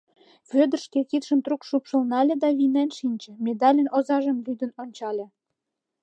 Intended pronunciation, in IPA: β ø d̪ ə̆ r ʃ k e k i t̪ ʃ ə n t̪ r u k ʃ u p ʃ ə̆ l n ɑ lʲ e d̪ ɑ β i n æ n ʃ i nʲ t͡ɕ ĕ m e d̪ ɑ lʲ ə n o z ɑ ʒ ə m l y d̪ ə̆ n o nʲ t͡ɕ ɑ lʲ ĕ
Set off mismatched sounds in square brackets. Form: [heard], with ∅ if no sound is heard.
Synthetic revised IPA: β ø d̪ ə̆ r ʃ k e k i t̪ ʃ ə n t̪ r u k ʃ u p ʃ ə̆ l n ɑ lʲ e d̪ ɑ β i n æ n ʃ i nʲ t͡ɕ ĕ m e d̪ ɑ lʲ ə n o z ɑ ʒ ə m l y d̪ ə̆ n o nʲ t͡ɕ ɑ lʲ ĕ